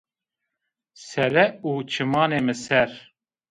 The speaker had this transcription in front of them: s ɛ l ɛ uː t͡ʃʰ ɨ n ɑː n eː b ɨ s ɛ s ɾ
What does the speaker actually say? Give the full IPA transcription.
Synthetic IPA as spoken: s ɛ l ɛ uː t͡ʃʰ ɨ m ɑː n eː m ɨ s ɛ ɾ